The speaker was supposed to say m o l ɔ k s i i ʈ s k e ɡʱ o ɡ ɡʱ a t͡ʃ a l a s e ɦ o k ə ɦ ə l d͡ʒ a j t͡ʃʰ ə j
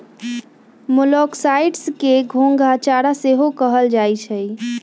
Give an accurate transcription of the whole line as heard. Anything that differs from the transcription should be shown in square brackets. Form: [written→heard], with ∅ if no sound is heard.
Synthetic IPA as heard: m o l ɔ k s [i→a] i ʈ s k e ɡʱ o [ɡ→ŋ] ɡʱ a t͡ʃ a [l→ɾ] a s e ɦ o k ə ɦ ə l d͡ʒ a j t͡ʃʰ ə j